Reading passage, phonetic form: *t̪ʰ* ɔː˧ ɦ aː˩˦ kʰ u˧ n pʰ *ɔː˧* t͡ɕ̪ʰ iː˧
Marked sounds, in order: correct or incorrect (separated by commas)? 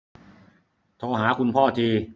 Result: correct, incorrect